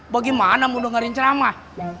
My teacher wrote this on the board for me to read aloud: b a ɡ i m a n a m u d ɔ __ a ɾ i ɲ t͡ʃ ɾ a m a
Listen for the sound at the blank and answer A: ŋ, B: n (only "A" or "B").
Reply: A